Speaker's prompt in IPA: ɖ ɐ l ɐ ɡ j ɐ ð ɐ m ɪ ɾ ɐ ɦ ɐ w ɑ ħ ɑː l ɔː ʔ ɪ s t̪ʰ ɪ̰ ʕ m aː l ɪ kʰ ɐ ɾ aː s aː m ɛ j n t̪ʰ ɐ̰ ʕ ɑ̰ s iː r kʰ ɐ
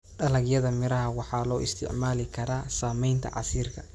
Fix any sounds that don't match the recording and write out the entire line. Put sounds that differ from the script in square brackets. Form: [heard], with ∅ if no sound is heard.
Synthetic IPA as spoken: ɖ ɐ l ɐ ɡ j ɐ ð ɐ m ɪ ɾ ɐ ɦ ɐ w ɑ ħ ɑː l ɔː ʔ ɪ s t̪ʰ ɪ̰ ʕ m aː l ɪ kʰ ɐ ɾ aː s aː m ɛ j n t̪ʰ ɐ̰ ʕ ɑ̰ s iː r kʰ ɐ